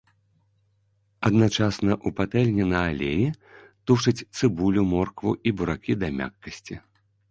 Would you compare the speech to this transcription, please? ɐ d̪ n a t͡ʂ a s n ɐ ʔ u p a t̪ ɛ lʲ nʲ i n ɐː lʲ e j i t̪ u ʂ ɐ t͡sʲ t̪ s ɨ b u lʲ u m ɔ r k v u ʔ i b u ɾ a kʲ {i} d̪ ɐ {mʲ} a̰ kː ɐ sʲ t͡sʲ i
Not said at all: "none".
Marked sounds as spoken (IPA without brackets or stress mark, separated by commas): i, mʲ